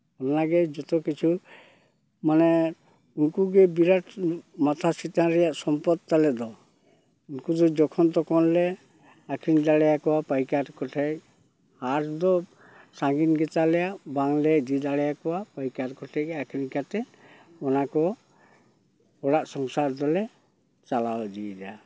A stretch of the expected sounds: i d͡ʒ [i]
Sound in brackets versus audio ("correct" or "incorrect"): incorrect